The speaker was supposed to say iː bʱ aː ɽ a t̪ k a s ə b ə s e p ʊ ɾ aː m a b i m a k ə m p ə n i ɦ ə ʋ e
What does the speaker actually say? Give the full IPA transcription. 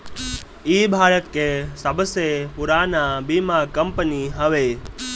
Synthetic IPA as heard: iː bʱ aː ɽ ə t̪ k e s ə b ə s e p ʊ ɾ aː n a b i m a k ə m p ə n i ɦ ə ʋ e

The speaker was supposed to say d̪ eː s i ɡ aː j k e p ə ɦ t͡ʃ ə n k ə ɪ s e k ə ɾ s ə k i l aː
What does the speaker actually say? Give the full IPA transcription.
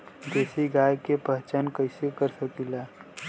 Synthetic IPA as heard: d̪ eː s i ɡ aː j k e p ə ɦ t͡ʃ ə n k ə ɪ s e k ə ɾ s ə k i l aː

